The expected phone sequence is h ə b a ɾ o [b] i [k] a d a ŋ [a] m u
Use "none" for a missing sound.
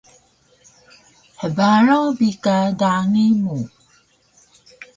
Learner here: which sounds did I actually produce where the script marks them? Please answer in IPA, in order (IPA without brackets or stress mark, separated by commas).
b, k, i